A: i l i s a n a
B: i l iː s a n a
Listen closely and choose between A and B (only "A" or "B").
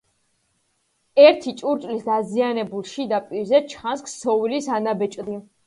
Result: A